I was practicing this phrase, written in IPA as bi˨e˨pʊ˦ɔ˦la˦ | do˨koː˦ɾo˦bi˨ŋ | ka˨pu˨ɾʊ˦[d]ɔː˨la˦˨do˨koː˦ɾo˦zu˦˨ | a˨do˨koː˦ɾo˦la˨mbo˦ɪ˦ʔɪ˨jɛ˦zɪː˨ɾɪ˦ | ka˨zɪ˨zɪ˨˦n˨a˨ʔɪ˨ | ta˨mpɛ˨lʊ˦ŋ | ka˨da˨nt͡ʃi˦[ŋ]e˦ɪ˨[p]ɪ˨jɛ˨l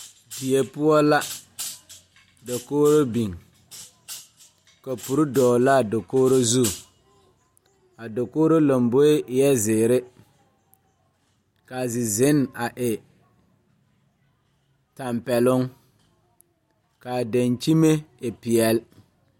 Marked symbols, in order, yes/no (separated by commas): yes, no, yes